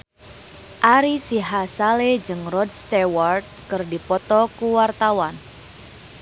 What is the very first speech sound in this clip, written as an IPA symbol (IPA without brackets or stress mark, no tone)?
ʔ